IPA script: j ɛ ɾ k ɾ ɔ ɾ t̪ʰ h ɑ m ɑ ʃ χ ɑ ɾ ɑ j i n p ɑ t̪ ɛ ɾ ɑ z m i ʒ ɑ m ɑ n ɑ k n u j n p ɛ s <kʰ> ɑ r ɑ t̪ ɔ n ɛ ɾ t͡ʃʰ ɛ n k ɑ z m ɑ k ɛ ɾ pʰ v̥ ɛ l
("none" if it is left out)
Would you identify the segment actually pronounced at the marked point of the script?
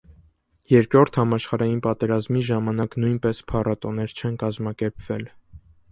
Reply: pʰ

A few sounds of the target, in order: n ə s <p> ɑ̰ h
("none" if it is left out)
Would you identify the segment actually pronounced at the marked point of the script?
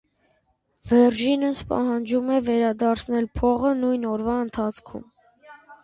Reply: p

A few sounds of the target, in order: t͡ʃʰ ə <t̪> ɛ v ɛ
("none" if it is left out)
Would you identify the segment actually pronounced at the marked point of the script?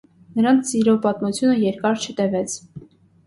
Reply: t̪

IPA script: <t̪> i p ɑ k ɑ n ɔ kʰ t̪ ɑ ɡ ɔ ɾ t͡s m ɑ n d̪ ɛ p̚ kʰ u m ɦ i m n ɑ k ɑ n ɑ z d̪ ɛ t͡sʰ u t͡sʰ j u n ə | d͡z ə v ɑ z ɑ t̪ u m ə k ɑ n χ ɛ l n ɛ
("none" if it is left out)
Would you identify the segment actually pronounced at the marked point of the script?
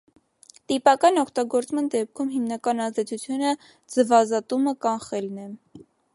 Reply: t̪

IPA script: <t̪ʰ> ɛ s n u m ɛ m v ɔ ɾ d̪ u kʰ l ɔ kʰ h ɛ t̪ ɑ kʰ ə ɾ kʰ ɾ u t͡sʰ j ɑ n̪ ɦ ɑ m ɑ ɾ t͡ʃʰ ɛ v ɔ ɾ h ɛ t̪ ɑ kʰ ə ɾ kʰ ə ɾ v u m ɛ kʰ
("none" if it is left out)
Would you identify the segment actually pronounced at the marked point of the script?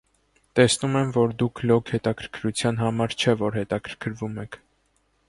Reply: t̪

